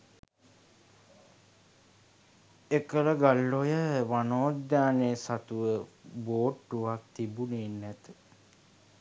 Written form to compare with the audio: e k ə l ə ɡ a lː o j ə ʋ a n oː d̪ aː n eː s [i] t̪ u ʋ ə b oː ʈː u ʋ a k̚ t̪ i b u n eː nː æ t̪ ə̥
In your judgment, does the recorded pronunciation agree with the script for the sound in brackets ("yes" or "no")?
no